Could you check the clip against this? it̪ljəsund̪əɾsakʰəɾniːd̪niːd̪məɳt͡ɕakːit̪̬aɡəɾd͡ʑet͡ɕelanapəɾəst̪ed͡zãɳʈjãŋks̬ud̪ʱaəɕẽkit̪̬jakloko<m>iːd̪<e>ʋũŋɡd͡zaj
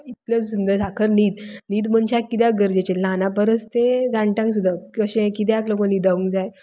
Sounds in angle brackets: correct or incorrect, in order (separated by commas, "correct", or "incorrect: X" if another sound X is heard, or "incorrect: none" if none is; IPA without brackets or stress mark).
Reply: incorrect: n, incorrect: a